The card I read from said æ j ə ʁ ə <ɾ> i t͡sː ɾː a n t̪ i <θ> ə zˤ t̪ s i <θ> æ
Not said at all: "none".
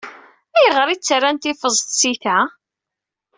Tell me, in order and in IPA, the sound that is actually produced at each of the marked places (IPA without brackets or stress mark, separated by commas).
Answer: ɾ, f, θ